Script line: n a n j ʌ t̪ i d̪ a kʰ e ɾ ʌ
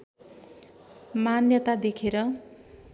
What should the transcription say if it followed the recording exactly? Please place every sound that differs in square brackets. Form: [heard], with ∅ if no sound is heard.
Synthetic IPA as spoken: [m] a n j ʌ t̪ [a] d̪ [e] kʰ e ɾ ʌ